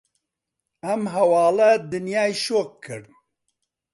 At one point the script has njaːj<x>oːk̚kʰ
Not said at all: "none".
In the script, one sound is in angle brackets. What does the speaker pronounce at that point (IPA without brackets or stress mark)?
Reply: ʃ